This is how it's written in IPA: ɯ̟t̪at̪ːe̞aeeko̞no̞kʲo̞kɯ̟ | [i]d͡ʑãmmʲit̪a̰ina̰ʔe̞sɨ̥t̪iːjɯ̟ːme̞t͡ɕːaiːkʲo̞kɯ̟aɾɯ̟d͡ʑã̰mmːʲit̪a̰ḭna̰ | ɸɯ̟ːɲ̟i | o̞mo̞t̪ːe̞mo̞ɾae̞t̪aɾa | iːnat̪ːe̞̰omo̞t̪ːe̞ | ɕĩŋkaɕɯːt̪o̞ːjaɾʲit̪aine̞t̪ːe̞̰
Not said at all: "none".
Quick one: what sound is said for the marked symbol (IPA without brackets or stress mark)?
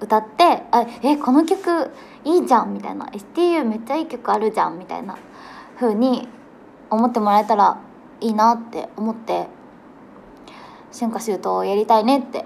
iː